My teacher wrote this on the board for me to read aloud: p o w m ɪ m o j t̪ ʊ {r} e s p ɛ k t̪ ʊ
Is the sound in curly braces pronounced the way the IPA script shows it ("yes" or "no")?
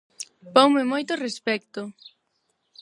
yes